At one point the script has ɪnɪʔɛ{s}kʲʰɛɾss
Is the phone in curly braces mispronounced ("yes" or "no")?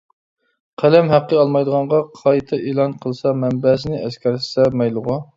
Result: no